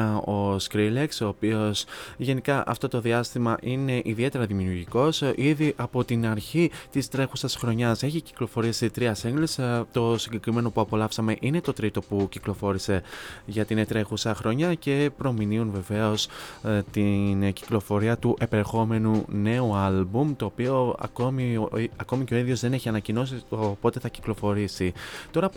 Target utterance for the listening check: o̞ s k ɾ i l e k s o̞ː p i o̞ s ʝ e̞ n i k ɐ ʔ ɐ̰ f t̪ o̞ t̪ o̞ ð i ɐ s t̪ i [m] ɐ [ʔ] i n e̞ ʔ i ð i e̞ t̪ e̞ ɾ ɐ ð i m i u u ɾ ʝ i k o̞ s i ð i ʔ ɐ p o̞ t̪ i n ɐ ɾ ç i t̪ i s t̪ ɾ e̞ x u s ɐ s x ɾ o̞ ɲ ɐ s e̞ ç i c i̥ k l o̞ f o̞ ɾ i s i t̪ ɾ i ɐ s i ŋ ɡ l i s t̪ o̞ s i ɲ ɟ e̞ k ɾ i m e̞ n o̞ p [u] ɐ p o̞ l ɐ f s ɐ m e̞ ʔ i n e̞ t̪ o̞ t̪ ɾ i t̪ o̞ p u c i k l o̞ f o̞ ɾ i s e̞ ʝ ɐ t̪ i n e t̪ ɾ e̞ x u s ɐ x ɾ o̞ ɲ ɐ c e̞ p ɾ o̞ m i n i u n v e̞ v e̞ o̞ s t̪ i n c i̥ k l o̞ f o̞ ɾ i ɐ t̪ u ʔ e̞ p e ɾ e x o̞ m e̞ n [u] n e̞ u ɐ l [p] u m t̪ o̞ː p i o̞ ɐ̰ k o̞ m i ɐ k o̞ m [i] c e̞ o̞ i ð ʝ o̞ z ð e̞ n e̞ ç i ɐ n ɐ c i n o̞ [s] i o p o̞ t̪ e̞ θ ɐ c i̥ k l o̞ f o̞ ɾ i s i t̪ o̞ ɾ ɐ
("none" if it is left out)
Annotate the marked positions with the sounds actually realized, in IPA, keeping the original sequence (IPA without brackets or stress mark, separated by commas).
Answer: m, ʔ, u, u, b, i, s